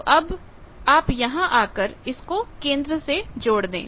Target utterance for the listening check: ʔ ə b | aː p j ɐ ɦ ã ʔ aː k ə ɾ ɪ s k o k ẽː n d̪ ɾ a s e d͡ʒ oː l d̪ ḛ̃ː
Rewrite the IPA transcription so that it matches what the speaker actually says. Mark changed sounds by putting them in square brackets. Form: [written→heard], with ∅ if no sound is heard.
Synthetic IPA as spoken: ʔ [ə→ɐ] b | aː p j ɐ ɦ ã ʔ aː k ə ɾ ɪ s k o k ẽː n d̪ ɾ [a→ə] s e d͡ʒ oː [l→ɽ] d̪ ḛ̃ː